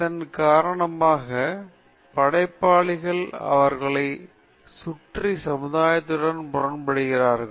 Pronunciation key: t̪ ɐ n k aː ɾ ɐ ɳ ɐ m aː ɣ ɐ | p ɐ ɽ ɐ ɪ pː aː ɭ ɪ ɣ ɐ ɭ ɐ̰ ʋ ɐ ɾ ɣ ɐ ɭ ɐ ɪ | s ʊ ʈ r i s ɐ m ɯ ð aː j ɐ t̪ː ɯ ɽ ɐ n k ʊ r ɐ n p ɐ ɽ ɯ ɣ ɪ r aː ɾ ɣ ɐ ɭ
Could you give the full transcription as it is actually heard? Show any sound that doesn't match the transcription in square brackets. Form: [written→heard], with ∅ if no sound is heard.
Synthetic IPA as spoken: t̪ ɐ n k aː ɾ ɐ ɳ ɐ m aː ɣ ɐ | p ɐ ɽ ɐ ɪ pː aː ɭ ɪ ɣ ɐ ɭ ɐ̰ ʋ ɐ ɾ ɣ ɐ ɭ ɐ ɪ | s ʊ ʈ r i s ɐ m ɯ ð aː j ɐ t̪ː ɯ ɽ ɐ n [k→p] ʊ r ɐ n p ɐ ɽ ɯ ɣ ɪ r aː ɾ ɣ ɐ ɭ